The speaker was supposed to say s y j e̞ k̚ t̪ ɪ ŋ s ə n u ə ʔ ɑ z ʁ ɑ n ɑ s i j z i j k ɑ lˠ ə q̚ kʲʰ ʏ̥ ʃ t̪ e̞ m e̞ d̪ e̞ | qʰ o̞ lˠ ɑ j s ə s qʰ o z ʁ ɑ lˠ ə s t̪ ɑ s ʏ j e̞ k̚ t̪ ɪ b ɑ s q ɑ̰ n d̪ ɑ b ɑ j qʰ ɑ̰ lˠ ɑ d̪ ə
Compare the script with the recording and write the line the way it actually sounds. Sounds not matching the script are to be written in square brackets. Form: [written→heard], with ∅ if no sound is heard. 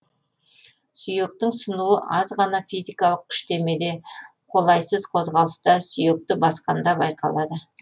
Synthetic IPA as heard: s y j e̞ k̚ t̪ ɪ ŋ s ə n u ə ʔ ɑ z ʁ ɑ n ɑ [s→f] i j z i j k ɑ lˠ ə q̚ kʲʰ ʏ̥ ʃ t̪ e̞ m e̞ d̪ e̞ | qʰ o̞ lˠ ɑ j s ə [s→z] qʰ o z ʁ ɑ lˠ ə s t̪ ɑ s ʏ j e̞ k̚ t̪ ɪ b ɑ s q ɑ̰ n d̪ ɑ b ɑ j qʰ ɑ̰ lˠ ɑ d̪ ə